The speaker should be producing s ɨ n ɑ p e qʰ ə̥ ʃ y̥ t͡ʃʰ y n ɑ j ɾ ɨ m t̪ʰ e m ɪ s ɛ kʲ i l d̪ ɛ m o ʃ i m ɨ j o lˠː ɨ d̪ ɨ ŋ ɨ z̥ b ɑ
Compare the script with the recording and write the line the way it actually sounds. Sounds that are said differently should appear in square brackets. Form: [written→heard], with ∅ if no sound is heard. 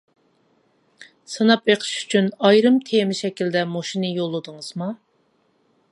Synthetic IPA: s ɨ n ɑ p e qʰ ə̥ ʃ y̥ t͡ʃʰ y n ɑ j ɾ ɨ m t̪ʰ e m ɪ [s→ʃ] ɛ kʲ i l d̪ ɛ m o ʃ i [m→n] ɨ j o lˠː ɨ d̪ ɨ ŋ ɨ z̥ [b→m] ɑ